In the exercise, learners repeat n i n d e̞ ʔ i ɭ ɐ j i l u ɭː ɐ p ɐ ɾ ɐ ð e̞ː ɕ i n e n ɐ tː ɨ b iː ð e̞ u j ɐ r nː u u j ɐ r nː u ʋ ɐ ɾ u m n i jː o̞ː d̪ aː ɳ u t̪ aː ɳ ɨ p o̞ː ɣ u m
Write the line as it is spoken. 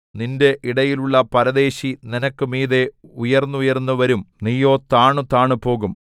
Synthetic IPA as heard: n i n d e̞ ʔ i ɽ ɐ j i l u ɭː ɐ p ɐ ɾ ɐ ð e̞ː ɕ i n i n ɐ kː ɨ m iː ð e̞ u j ɐ r nː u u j ɐ r nː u ʋ ɐ ɾ u m n i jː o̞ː t̪ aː ɳ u t̪ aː ɳ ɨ p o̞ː ɣ u m